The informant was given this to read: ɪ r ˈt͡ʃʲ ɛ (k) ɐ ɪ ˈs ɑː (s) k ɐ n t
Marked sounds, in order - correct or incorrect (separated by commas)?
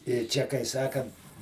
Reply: correct, incorrect